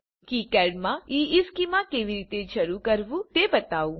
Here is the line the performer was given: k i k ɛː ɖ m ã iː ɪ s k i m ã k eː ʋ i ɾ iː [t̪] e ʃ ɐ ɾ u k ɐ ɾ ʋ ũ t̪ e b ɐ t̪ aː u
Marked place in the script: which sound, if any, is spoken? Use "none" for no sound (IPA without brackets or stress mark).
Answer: t̪